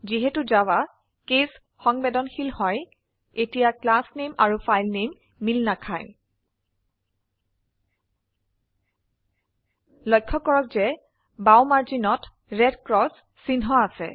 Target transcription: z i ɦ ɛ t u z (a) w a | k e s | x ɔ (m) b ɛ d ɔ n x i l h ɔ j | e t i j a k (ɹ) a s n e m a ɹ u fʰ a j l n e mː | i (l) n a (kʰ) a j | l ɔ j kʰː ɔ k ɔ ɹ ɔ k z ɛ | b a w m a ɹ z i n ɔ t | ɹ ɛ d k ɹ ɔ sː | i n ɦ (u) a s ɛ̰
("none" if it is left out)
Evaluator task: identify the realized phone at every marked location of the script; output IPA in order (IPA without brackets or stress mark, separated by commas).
a, ŋ, l, l, kʰ, ɔ